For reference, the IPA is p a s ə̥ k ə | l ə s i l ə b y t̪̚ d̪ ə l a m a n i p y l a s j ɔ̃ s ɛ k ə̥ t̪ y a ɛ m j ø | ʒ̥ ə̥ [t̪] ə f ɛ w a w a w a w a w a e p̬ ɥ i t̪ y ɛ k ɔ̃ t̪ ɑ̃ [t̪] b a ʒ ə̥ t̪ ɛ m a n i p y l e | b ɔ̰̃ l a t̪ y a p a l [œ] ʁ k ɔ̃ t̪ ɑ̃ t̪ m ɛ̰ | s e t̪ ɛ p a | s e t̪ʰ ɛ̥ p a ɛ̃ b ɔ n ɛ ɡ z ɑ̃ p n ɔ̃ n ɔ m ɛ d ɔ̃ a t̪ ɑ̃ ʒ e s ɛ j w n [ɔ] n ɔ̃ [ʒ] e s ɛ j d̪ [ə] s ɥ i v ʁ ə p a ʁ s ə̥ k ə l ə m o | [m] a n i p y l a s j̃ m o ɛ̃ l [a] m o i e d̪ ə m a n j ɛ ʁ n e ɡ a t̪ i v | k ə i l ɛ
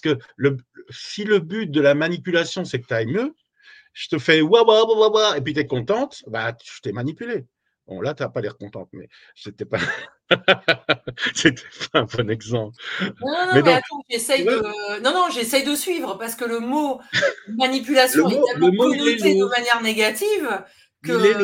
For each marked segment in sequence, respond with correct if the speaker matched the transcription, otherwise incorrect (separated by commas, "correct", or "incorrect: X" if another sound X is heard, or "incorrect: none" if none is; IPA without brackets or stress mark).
correct, correct, incorrect: ɛ, incorrect: ɔ̃, correct, correct, correct, incorrect: ə